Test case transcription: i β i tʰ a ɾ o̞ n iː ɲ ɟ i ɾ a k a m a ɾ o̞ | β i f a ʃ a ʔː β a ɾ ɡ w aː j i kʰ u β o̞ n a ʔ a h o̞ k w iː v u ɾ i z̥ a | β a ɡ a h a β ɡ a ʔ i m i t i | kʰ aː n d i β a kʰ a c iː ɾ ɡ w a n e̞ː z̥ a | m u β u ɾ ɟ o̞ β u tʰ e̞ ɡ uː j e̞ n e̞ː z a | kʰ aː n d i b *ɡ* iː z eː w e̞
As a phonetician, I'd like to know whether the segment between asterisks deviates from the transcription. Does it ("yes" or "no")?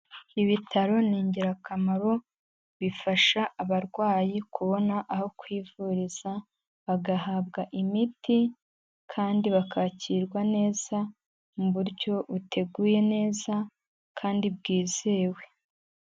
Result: no